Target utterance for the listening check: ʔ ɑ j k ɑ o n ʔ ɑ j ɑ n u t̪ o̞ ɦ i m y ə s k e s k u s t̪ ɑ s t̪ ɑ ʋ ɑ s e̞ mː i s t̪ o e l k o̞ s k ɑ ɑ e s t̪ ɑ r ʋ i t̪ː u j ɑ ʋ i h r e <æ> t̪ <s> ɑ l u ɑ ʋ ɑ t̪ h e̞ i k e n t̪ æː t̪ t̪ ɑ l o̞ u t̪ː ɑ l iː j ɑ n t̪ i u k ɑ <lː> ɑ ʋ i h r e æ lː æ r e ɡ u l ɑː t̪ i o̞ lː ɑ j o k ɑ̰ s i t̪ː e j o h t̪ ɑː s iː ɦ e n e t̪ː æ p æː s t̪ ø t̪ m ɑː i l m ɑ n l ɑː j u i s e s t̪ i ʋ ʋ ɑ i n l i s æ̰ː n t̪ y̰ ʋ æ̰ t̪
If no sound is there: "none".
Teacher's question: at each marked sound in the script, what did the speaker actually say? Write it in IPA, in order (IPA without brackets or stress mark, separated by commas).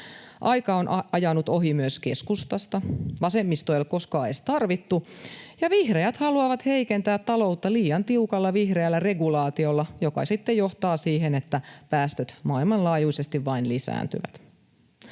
æ, h, lː